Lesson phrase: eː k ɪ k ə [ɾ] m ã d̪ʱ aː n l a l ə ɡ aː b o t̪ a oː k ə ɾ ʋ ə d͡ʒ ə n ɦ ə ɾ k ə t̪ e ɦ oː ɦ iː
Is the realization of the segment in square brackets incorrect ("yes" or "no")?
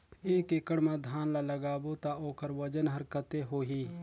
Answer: yes